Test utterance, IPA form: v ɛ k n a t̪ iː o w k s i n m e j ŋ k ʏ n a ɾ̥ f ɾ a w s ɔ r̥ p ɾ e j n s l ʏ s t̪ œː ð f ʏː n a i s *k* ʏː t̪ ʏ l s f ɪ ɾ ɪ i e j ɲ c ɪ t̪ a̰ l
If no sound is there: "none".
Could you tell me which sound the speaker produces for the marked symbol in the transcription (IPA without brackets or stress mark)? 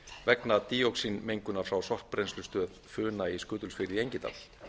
k